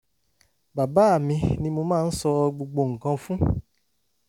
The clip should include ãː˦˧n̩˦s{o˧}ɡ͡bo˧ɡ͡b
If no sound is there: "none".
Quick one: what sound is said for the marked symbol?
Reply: ɔ˧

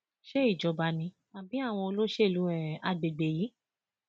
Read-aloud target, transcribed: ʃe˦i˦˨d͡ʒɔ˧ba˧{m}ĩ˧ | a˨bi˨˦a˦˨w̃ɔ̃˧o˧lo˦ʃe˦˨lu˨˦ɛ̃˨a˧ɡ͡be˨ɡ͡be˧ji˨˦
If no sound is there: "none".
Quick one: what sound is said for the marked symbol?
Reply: n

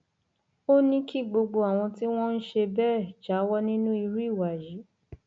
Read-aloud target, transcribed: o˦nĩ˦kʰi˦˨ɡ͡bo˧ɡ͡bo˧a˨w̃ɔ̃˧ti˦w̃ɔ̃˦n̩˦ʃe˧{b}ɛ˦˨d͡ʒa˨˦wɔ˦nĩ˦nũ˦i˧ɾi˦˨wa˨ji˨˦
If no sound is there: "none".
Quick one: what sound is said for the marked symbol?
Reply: b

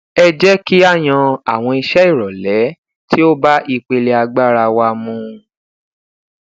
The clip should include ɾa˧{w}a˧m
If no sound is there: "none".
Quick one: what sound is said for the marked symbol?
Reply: w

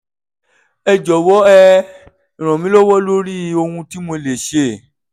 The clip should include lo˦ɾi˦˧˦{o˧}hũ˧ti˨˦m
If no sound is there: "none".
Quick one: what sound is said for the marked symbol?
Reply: o˧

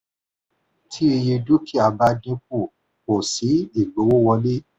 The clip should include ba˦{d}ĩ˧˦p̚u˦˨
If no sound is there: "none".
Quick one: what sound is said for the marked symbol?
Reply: d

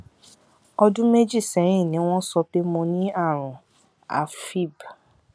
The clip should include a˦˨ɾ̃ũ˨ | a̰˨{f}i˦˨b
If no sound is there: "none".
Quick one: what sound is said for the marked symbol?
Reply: f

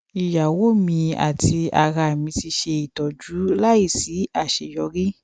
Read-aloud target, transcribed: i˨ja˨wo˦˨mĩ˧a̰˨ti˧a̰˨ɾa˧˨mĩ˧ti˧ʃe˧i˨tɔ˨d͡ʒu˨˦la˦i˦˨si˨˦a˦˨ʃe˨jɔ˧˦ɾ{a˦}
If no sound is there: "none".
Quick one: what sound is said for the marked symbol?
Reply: i˦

